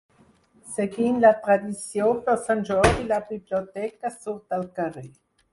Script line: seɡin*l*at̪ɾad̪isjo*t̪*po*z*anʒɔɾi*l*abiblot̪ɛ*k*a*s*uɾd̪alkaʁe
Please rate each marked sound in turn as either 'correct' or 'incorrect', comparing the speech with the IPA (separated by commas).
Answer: correct, incorrect, incorrect, correct, correct, correct